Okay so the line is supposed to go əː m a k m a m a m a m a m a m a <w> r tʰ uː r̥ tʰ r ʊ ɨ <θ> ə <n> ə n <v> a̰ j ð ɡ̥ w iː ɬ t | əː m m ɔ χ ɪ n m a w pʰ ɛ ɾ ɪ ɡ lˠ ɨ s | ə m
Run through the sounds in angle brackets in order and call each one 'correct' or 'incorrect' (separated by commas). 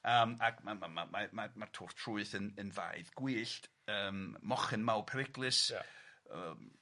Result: incorrect, correct, correct, correct